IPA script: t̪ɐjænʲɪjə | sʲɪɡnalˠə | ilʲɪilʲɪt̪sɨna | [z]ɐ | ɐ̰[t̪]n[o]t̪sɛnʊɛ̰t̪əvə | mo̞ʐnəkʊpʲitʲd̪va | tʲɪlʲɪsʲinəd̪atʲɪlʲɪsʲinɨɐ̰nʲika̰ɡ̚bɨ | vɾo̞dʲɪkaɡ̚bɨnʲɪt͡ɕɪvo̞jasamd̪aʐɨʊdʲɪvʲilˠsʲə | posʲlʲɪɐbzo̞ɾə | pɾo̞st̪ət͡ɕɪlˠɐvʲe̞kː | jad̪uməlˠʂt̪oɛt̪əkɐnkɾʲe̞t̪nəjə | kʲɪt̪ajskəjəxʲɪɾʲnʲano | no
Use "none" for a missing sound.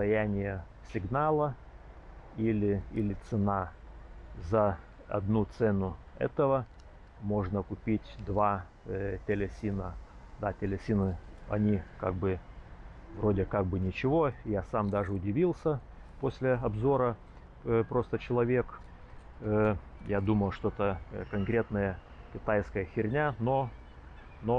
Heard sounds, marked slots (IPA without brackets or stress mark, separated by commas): z, d̪, u